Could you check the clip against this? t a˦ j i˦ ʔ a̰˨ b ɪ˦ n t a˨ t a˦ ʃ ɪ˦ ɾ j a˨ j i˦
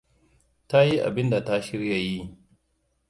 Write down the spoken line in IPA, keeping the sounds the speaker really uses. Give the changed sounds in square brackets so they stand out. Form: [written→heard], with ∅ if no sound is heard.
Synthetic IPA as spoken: t a˦ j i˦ ʔ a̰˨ b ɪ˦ n [t→d] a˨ t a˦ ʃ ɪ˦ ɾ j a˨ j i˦